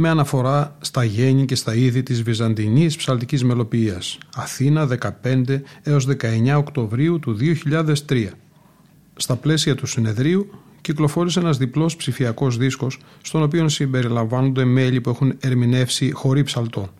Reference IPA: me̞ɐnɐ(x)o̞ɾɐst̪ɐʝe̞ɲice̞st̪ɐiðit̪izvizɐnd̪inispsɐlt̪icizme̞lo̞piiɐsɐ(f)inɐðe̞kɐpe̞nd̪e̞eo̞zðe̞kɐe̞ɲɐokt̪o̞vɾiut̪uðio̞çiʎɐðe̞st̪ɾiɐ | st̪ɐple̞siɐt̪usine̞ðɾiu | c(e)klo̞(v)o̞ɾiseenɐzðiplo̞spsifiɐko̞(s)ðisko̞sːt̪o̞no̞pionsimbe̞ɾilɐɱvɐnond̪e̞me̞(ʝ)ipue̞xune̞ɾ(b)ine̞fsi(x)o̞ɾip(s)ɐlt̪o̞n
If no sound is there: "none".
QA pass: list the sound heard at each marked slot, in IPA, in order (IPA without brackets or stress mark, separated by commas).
f, θ, i, f, z, ʎ, m, x, s